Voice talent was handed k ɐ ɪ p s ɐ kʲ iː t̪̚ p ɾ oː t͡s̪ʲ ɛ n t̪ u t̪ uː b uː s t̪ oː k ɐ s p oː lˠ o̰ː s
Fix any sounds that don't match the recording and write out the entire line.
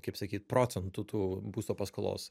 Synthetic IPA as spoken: k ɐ ɪ p s ɐ kʲ iː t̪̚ p ɾ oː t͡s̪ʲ ɛ n t̪ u t̪ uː b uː s t̪ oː p ɐ s k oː lˠ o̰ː s